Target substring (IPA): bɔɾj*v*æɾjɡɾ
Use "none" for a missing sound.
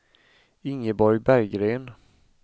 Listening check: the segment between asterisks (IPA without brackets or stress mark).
b